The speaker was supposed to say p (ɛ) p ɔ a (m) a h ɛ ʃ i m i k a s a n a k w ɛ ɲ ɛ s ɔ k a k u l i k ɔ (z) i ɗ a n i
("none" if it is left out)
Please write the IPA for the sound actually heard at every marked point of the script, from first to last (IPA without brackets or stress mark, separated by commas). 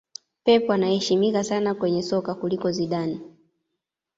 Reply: ɛ, n, z